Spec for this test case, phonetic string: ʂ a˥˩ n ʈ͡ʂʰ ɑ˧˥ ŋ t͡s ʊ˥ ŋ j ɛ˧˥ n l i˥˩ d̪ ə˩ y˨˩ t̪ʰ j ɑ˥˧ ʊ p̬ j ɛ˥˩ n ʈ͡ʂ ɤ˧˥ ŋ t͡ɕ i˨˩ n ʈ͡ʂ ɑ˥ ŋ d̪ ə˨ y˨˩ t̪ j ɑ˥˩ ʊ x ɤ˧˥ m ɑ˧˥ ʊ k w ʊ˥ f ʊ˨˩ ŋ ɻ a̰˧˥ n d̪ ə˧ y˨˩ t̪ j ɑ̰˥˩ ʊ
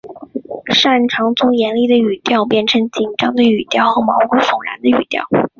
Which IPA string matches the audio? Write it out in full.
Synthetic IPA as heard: ʂ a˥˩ n ʈ͡ʂʰ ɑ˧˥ ŋ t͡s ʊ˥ ŋ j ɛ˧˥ n l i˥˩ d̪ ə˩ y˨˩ t̪ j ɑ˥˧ ʊ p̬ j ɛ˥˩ n ʈ͡ʂʰ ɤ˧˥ ŋ t͡ɕ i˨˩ n ʈ͡ʂ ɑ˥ ŋ d̪ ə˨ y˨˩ t̪ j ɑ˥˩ ʊ x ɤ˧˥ m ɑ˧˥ ʊ k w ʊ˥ f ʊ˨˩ ŋ ɻ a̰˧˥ n d̪ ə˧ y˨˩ t̪ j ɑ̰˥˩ ʊ